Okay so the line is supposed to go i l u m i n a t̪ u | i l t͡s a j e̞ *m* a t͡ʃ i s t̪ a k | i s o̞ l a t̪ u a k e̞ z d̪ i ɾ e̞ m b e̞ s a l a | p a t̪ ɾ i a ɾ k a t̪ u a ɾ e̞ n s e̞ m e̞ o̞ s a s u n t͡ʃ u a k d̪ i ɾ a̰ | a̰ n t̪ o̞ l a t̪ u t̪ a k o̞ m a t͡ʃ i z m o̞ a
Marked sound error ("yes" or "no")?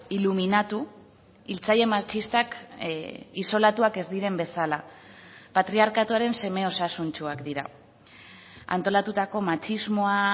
no